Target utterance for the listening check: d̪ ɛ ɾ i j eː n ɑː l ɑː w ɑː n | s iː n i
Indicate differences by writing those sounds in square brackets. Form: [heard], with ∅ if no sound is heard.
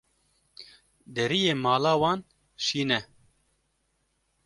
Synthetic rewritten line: d̪ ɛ ɾ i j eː [m] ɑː l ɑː w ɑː n | [ʃ] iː n [ɛ]